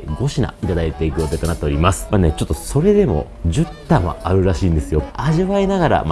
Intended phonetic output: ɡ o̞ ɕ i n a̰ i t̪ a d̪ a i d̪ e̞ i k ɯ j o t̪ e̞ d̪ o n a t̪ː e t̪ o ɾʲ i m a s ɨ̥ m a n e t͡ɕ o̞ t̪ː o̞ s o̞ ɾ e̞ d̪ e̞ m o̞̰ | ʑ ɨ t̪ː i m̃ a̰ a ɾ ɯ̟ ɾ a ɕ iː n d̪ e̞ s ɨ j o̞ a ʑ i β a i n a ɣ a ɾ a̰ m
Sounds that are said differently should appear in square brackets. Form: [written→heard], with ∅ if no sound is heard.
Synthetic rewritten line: ɡ o̞ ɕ i n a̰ i t̪ a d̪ a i [d̪→t̪] e̞ i k ɯ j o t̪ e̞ [d̪→t̪] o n a t̪ː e [t̪→∅] o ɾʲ i m a s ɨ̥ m a n e t͡ɕ o̞ t̪ː o̞ s o̞ ɾ e̞ d̪ e̞ m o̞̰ | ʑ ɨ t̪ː [i→a] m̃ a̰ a ɾ ɯ̟ ɾ a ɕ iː n d̪ e̞ s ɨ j o̞ a ʑ i β a i n a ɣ a ɾ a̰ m